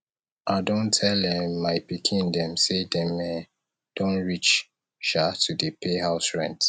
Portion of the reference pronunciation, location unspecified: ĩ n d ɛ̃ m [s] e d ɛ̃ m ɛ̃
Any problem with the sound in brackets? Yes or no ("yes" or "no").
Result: no